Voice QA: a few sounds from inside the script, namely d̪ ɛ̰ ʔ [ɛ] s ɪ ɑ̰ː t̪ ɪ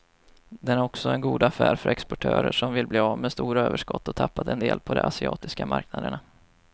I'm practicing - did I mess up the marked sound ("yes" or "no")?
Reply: yes